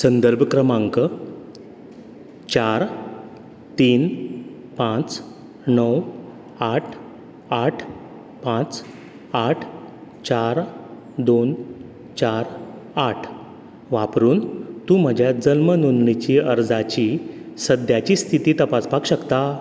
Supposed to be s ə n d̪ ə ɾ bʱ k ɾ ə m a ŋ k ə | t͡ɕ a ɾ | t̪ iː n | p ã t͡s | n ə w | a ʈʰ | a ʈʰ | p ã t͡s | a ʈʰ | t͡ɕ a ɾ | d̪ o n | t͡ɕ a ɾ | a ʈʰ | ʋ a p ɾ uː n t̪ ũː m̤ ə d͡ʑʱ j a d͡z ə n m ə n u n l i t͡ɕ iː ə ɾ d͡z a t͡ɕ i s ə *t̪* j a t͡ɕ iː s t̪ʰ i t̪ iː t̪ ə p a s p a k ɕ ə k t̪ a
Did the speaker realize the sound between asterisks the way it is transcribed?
no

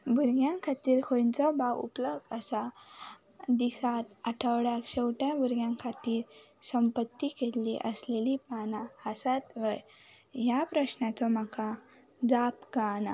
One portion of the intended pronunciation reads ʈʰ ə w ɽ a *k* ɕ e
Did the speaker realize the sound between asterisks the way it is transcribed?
yes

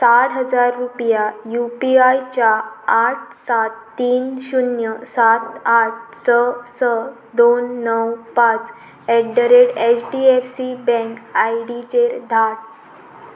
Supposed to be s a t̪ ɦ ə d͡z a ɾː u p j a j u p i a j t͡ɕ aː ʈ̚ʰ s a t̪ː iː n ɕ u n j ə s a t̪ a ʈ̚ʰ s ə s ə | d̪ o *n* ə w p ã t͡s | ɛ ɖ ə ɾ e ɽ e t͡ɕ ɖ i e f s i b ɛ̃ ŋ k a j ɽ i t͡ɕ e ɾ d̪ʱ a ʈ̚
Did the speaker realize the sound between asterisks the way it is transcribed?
no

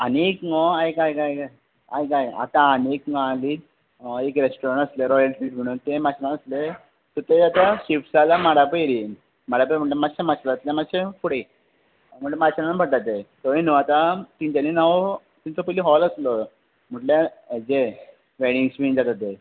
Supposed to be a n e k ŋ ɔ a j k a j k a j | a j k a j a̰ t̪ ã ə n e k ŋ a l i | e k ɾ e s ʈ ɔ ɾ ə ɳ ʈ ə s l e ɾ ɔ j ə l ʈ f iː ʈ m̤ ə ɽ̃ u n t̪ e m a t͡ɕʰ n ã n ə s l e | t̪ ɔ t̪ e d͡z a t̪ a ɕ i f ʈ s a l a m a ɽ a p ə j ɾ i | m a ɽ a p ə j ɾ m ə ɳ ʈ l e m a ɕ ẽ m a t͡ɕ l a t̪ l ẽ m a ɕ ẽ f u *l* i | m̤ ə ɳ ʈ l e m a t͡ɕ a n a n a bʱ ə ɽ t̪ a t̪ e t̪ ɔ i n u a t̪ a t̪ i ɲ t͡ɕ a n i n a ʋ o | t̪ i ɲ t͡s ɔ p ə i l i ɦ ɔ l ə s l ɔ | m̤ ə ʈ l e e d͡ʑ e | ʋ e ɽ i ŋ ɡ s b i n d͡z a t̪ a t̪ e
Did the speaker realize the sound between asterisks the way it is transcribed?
no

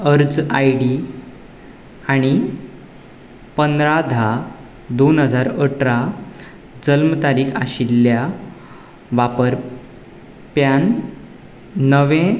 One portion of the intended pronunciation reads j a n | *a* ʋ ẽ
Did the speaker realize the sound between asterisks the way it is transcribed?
no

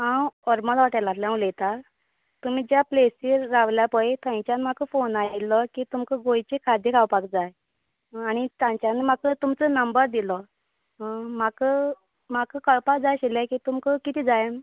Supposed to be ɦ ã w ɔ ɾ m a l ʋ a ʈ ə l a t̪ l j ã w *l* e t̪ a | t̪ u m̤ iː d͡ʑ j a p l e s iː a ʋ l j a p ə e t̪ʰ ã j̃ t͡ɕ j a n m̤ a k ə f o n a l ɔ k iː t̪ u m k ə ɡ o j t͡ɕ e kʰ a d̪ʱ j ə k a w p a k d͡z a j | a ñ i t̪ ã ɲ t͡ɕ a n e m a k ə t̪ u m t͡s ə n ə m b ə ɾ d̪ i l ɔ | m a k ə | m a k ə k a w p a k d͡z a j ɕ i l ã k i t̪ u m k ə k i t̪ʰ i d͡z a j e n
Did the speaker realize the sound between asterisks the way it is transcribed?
yes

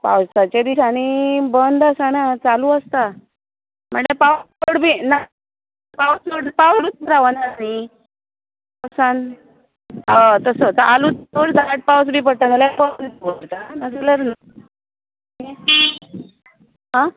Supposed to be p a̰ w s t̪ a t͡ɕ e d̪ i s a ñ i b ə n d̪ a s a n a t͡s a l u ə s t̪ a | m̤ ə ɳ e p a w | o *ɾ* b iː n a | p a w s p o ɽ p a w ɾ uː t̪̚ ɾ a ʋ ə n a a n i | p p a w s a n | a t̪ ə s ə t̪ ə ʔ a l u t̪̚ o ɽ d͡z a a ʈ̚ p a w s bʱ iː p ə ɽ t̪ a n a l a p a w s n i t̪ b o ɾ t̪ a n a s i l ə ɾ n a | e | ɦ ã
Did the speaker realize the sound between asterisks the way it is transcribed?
no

